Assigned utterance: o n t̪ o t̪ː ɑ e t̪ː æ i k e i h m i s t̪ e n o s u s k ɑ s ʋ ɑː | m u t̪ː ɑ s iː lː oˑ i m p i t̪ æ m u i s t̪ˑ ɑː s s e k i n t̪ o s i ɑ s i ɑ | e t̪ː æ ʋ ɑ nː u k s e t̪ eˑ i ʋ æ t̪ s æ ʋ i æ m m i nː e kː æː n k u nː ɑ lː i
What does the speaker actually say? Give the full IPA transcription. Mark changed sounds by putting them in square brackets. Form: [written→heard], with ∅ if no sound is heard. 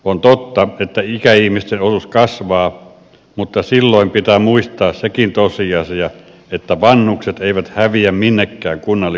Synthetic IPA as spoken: o n t̪ o t̪ː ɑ e t̪ː æ i k [e→æ] i h m i s t̪ e n o s u s k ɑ s ʋ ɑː | m u t̪ː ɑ s [iː→i] lː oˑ i m p i t̪ æ m u i s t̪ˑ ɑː s s e k i n t̪ o s i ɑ s i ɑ | e t̪ː æ ʋ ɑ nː u k s e t̪ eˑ i ʋ æ t̪ [s→h] æ ʋ i æ m m i nː e kː æː [n→ŋ] k u nː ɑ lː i